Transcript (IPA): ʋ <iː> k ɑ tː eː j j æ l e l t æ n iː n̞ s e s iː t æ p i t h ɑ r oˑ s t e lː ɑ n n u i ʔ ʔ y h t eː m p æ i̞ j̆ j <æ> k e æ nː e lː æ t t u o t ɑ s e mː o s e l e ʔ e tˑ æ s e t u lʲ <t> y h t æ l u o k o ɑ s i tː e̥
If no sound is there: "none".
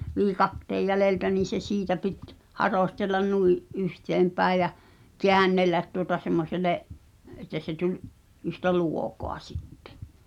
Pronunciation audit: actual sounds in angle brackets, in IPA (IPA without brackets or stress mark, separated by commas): iː, æ, ʔ